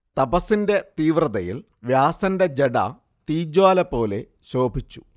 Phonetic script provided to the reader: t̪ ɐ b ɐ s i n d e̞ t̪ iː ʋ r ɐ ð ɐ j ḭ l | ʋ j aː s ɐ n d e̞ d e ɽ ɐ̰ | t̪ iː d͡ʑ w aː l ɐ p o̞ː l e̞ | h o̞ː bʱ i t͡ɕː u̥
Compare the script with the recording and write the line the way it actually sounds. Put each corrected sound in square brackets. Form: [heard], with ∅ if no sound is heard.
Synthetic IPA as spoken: t̪ ɐ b ɐ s i n d e̞ t̪ iː ʋ r ɐ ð ɐ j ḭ l | ʋ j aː s ɐ n d e̞ [d͡ʑ] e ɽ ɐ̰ | t̪ iː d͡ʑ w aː l ɐ p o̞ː l e̞ | [ɕ] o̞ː bʱ i t͡ɕː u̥